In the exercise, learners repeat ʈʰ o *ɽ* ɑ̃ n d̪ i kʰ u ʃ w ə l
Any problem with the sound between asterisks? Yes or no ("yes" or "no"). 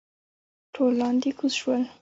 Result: yes